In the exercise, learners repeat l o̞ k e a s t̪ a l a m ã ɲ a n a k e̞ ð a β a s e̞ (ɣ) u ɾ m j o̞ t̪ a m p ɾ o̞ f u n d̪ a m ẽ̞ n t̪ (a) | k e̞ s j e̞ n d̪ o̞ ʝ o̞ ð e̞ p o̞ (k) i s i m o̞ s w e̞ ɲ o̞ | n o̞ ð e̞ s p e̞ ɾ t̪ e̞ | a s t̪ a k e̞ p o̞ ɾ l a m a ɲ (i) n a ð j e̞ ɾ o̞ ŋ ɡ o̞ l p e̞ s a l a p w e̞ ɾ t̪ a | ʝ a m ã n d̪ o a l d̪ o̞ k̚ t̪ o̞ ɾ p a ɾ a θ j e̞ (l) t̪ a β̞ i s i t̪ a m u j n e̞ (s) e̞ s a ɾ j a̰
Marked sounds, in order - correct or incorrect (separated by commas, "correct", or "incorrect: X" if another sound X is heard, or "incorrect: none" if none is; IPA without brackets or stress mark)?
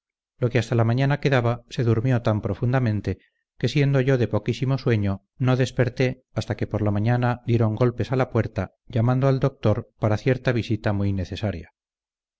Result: incorrect: ð, incorrect: e, correct, incorrect: a, incorrect: ɾ, incorrect: θ